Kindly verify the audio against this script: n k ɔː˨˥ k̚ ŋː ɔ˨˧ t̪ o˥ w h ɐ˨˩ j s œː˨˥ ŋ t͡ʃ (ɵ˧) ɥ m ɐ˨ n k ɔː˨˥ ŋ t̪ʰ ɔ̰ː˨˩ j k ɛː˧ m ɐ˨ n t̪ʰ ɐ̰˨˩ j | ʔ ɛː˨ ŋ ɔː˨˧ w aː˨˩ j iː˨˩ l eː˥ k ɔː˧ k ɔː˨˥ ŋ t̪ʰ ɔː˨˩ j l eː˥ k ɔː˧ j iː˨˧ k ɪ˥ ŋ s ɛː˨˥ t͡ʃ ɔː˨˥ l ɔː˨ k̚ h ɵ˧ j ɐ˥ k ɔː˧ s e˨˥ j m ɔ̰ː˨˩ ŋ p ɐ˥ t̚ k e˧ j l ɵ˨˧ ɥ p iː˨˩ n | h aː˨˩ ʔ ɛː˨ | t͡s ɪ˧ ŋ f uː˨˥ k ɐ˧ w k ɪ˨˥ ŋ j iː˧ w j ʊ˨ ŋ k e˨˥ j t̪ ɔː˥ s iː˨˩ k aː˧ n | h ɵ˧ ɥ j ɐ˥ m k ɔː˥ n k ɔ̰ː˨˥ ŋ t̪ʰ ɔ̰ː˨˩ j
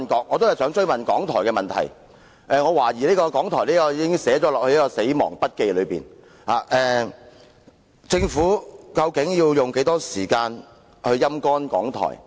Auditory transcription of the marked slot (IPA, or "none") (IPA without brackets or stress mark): ɵ˥